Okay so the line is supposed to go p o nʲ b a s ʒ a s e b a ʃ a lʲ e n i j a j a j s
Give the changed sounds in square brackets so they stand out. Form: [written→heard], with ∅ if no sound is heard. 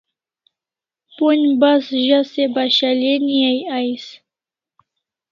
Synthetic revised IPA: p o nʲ b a s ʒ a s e b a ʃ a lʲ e n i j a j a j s